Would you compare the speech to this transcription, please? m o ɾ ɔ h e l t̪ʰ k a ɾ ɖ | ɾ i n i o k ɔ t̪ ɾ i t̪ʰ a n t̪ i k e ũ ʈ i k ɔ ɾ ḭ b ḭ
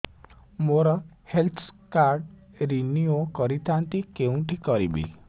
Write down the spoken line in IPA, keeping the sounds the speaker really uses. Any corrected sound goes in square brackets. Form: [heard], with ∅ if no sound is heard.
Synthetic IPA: m o ɾ ɔ h e l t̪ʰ k a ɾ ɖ | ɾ i n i o k ɔ [∅] ɾ i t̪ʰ a n t̪ i k e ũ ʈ i k ɔ ɾ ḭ b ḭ